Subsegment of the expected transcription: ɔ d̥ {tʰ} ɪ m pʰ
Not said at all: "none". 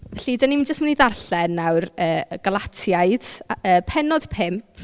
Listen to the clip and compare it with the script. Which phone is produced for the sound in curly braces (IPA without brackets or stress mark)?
pʰ